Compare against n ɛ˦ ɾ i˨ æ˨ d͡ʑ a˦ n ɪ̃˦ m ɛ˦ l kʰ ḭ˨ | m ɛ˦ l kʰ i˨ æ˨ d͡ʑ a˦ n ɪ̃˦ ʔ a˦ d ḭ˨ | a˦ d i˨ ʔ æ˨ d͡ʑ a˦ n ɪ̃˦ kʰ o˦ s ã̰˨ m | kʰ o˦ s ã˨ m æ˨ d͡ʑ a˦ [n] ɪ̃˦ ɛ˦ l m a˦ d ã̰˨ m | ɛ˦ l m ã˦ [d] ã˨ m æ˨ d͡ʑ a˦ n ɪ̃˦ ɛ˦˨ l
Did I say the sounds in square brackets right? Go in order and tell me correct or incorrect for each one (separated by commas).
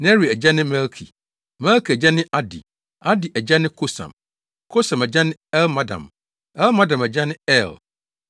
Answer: correct, correct